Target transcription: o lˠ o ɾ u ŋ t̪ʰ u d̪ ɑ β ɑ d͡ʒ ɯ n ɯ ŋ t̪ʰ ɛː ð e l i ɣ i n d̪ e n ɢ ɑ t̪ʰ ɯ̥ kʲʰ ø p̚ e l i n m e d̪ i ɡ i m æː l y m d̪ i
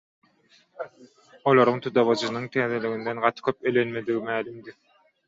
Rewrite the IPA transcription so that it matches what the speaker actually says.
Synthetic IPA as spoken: o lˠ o ɾ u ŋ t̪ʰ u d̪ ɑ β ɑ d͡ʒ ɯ n ɯ ŋ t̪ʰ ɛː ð e l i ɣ i n d̪ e n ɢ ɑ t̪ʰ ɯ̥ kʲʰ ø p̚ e l e n m e d̪ i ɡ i m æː l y m d̪ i